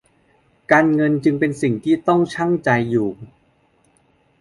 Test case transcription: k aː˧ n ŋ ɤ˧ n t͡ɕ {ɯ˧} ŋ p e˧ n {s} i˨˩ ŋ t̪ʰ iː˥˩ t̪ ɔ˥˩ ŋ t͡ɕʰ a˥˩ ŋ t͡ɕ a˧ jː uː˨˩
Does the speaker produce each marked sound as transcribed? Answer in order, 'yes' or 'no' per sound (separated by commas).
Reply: yes, yes